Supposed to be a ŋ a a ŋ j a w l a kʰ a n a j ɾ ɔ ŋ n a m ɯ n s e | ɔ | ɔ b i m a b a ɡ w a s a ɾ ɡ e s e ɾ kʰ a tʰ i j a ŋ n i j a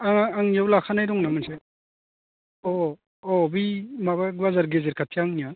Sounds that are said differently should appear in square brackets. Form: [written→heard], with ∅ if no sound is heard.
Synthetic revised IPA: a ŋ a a ŋ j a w l a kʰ a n a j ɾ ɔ ŋ n a m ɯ n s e | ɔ | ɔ b i m a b a ɡ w a [s→z] a ɾ ɡ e [s→z] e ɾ kʰ a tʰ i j a ŋ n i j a